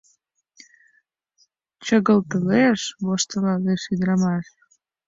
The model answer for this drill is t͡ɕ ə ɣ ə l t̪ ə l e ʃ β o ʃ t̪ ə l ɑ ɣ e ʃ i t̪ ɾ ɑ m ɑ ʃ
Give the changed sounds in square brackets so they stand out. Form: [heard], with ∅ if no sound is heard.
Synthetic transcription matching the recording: t͡ɕ ə ɣ ə l t̪ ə l e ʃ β o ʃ t̪ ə l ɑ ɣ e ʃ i [d̪] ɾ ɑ m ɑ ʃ